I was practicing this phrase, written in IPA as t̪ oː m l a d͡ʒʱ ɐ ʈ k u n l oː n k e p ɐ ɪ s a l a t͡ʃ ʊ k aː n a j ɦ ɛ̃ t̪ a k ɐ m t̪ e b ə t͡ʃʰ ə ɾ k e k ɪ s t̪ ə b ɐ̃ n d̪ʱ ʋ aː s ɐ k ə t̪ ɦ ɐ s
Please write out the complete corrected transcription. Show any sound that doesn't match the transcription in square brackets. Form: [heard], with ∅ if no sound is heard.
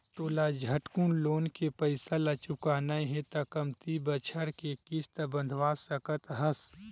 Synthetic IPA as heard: t̪ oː [∅] l a d͡ʒʱ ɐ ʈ k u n l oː n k e p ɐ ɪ s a l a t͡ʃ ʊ k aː n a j ɦ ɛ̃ t̪ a k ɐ m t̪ [i] b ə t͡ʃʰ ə ɾ k e k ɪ s t̪ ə b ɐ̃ n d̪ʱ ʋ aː s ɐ k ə t̪ ɦ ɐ s